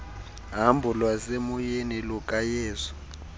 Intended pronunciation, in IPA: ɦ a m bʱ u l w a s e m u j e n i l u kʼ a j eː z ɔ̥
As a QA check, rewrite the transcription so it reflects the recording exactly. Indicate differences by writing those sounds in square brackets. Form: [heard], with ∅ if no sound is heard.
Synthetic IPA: ɦ a m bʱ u l w a s e m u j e n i l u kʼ a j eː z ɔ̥